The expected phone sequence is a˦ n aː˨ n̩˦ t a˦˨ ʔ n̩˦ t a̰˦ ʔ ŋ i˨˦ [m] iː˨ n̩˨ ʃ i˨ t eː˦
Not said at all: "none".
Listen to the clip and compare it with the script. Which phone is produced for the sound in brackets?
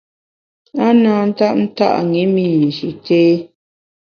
m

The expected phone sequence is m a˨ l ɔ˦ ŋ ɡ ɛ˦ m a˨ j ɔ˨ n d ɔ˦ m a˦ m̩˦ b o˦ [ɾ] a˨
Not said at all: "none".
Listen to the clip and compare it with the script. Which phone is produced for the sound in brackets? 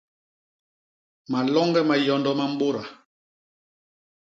ɾ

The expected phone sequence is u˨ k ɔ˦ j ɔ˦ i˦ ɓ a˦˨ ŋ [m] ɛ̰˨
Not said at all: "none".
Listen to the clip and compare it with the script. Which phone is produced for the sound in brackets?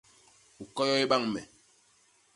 m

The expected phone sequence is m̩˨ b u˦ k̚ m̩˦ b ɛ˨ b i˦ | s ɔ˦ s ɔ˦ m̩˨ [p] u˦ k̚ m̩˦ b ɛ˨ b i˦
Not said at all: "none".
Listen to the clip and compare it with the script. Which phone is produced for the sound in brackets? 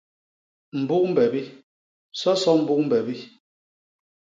b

